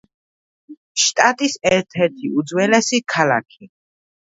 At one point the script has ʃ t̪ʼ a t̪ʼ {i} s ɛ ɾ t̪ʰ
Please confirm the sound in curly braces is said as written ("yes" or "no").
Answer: yes